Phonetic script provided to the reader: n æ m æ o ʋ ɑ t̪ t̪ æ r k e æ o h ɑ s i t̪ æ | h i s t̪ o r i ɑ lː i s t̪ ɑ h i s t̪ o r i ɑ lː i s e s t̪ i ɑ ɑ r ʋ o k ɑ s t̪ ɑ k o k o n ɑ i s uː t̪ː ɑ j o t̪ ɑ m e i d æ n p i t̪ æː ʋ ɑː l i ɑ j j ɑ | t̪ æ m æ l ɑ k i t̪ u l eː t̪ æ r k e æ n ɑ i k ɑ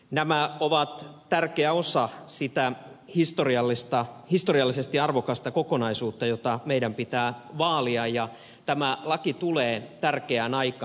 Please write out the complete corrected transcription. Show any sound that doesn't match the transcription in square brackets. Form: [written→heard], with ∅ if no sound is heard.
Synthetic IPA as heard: n æ m æ o ʋ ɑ t̪ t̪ æ r k e æ o [h→s] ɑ s i t̪ æ | h i s t̪ o r i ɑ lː i s t̪ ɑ h i s t̪ o r i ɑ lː i s e s t̪ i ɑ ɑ r ʋ o k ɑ s t̪ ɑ k o k o n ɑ i s uː t̪ː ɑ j o t̪ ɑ m e i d æ [n→m] p i t̪ æː ʋ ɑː l i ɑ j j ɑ | t̪ æ m æ l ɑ k i t̪ u l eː t̪ æ r k e æ n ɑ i k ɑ